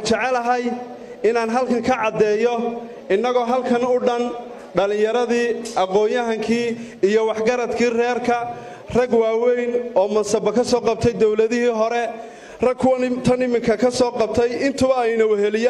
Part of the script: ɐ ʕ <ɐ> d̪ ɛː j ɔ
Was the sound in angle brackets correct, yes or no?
no